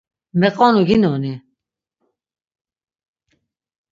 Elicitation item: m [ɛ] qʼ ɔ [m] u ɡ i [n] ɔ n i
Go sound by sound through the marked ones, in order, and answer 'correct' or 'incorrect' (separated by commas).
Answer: correct, incorrect, correct